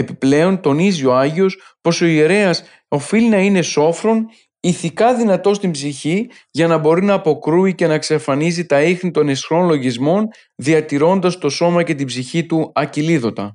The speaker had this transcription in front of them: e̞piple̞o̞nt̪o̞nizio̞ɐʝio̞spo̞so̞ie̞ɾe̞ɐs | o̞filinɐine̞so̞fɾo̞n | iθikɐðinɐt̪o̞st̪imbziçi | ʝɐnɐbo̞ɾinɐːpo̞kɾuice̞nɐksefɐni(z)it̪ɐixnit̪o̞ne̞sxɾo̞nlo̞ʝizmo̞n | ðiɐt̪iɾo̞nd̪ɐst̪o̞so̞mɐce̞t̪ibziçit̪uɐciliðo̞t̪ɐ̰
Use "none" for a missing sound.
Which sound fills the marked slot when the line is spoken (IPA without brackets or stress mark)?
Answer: z